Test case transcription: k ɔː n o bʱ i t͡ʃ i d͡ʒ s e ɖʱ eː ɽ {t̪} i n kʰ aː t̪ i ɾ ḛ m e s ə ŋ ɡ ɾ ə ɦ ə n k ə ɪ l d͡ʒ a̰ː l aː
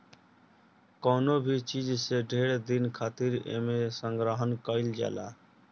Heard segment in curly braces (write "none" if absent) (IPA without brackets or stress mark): d̪